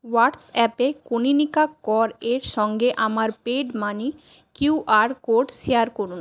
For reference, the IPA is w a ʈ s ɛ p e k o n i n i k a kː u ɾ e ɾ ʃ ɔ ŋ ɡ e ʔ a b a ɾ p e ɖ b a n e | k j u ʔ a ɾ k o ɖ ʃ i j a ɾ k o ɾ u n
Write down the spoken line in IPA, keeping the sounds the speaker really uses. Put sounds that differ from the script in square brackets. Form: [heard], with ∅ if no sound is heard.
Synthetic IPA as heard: w a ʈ s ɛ p e k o n i n i k a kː [ɔ] ɾ e ɾ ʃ ɔ ŋ ɡ e ʔ a [m] a ɾ p e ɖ [m] a n [i] | k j u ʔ a ɾ k o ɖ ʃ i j a ɾ k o ɾ u n